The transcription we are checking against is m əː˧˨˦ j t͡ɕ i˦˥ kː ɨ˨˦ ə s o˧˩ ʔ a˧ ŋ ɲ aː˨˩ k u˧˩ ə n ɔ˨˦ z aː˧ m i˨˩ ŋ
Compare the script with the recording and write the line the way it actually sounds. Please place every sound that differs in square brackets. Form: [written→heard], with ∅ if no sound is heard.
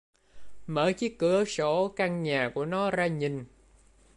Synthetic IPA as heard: m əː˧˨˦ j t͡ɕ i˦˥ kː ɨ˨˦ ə s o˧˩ [ʔ→k] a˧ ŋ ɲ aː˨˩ k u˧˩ ə n ɔ˨˦ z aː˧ [m→ɲ] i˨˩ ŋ